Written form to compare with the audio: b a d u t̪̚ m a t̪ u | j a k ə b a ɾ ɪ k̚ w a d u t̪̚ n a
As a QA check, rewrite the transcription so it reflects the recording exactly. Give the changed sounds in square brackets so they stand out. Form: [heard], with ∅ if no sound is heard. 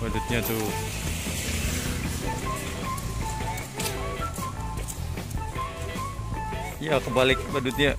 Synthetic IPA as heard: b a d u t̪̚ [ɲ] a t̪ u | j a k ə b a [l] ɪ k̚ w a d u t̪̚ [ɲ] a